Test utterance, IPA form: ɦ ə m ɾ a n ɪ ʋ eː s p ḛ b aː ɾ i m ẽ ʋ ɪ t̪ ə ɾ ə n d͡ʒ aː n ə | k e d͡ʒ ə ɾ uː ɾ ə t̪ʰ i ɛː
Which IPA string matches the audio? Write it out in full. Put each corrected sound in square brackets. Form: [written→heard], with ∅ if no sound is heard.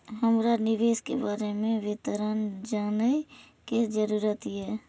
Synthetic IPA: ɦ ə m ɾ a n ɪ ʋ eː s [p→k] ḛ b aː ɾ [i→e] m ẽ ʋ ɪ t̪ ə ɾ ə n d͡ʒ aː n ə | k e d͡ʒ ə ɾ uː ɾ ə [t̪ʰ→t̪] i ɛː